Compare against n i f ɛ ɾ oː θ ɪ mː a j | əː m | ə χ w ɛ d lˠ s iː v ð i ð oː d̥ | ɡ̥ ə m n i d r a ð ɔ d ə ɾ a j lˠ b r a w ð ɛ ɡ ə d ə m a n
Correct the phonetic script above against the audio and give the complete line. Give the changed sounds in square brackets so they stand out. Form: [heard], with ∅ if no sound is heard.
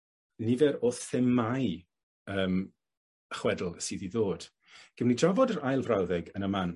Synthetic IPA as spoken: n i [v] ɛ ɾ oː θ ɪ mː a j | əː m | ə χ w ɛ d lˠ s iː [∅] ð i ð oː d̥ | ɡ̥ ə m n i d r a [v] ɔ d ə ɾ a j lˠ [v] r a w ð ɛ ɡ ə [n] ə m a n

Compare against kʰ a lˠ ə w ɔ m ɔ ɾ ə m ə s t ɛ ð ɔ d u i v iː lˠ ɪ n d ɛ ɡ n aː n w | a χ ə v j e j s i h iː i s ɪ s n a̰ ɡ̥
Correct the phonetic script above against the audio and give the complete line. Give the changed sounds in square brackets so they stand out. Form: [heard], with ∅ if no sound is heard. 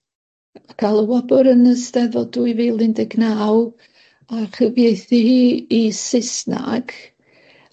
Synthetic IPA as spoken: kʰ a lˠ ə w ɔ [b] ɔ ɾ ə [n] ə s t ɛ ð ɔ d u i v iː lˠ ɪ n d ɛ ɡ n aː [∅] w | a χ ə v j e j [θ] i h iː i s ɪ s n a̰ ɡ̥

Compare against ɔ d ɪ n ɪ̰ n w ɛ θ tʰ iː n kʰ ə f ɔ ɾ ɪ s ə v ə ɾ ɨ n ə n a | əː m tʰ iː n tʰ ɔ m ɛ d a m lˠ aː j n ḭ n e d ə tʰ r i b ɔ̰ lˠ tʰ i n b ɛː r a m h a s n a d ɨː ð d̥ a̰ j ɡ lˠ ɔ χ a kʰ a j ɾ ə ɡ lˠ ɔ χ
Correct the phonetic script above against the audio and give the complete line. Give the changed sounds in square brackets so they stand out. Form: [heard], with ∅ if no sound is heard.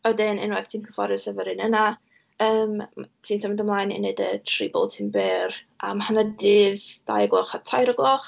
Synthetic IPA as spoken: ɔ d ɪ n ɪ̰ n w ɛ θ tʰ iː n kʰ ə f ɔ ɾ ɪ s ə v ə ɾ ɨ n ə n a | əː m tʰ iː n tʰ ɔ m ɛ d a m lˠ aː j n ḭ n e d ə tʰ r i b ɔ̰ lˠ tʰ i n b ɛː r a m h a [∅] n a d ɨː ð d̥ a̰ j ɡ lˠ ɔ χ a [tʰ] a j ɾ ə ɡ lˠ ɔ χ

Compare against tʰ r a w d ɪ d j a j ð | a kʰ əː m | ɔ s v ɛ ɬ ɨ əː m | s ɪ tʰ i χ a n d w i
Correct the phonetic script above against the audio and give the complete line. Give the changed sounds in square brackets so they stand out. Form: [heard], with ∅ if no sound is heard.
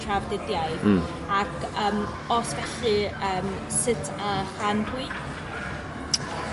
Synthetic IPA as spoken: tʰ r a [v] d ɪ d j a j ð | a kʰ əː m | ɔ s v ɛ ɬ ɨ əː m | s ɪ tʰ [a] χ a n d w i

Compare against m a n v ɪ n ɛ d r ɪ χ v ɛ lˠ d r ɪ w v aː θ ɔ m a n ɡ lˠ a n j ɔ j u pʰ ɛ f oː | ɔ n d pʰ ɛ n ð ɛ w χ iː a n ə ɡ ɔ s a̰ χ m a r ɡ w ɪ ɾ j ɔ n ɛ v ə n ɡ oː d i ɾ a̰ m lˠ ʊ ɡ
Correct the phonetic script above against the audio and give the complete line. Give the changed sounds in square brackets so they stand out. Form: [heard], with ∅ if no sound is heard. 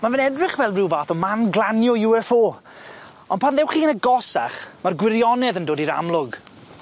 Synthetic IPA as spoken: m a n v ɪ n ɛ d r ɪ χ v ɛ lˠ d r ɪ w v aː θ ɔ m a n ɡ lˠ a n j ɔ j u [∅] ɛ f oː | ɔ n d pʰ [a] n ð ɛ w χ iː [ə] n ə ɡ ɔ s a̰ χ m a r ɡ w ɪ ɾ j ɔ n ɛ [ð] ə n [d] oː d i ɾ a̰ m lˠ ʊ ɡ

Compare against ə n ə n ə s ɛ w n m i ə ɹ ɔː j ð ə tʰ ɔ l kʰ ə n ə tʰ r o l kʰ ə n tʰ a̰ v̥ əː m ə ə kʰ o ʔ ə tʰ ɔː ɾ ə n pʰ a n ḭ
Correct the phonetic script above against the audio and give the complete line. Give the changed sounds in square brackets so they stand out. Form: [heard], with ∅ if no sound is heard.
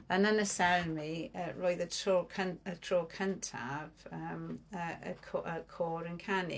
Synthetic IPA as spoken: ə n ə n ə s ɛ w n m i ə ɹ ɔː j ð ə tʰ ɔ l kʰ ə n ə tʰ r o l kʰ ə n tʰ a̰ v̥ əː m ə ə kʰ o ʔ ə [kʰ] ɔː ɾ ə n [kʰ] a n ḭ

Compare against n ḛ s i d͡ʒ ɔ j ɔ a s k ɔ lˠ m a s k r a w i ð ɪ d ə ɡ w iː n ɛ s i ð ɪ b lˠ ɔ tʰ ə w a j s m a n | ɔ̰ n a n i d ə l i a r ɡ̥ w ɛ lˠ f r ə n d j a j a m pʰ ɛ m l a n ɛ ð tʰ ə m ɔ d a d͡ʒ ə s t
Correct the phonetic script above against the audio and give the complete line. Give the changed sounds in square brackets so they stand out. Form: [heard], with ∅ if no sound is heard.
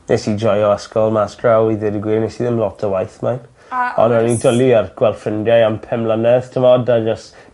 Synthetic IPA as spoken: n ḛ s i d͡ʒ ɔ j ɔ a s k ɔ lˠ m a s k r a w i ð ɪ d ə ɡ w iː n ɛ s i ð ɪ [m] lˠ ɔ tʰ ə w a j [θ] m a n | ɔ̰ n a n i d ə l i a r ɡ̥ w ɛ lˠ f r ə n d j a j a m pʰ ɛ m l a n ɛ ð tʰ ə m ɔ d a d͡ʒ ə s t

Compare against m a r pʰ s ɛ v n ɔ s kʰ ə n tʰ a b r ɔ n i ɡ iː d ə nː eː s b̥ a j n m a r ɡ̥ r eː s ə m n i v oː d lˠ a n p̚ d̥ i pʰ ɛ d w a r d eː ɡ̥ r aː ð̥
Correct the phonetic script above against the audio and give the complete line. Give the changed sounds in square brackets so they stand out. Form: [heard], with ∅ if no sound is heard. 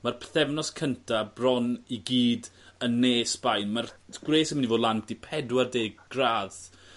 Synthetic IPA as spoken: m a r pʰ [θ] ɛ v n ɔ s kʰ ə n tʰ a b r ɔ n i ɡ iː d ə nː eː s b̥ a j n m a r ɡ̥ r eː s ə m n i v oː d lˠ a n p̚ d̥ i pʰ ɛ d w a r d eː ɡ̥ r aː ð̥

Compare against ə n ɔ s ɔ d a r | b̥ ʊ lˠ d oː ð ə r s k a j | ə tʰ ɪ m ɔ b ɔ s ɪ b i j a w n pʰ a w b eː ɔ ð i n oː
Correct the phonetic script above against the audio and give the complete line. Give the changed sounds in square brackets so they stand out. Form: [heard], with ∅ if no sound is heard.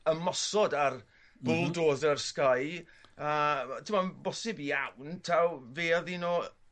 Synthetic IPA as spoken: ə [m] ɔ s ɔ d a r | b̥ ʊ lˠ d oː ð ə r s k a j | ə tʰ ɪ m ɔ b ɔ s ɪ b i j a w n [tʰ] a w [v] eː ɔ ð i n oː

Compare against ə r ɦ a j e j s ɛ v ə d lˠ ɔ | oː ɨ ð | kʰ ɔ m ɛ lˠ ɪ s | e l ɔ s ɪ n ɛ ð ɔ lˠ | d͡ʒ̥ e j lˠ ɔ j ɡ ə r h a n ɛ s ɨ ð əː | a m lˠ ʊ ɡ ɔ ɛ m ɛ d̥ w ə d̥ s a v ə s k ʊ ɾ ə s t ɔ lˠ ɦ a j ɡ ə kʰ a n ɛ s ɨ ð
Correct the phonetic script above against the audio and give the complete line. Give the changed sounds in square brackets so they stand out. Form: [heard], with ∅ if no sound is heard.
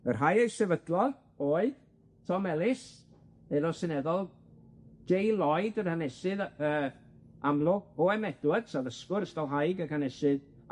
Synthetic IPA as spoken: ə r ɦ a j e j s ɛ v ə d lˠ ɔ | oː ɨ ð | [tʰ] ɔ m ɛ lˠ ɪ s | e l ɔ s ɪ n ɛ ð ɔ lˠ | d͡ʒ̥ e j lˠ ɔ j [d] ə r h a n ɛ s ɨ ð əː | a m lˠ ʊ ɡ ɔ ɛ m ɛ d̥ w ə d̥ s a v ə s k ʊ ɾ ə s t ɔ lˠ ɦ a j ɡ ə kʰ a n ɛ s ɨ ð

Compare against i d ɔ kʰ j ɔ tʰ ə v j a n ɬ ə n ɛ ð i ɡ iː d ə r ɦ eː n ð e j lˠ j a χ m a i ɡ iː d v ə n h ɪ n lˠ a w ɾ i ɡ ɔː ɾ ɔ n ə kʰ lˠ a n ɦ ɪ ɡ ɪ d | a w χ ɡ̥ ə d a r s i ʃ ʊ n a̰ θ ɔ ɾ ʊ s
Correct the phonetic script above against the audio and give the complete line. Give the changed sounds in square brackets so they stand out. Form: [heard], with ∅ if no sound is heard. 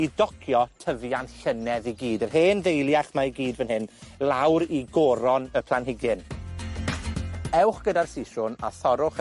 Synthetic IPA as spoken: i d ɔ kʰ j ɔ tʰ ə v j a n ɬ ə n ɛ ð i ɡ iː d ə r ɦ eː n ð e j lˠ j a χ m a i ɡ iː d v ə n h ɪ n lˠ a w ɾ i ɡ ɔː ɾ ɔ n ə [pʰ] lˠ a n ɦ ɪ ɡ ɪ [n] | [ɛ] w χ ɡ̥ ə d a r s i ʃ ʊ n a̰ θ ɔ ɾ ʊ [χ]

